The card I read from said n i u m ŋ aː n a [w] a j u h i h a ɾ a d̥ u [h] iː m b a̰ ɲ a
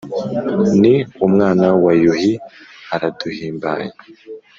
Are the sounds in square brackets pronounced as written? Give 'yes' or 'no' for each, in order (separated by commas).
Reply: yes, yes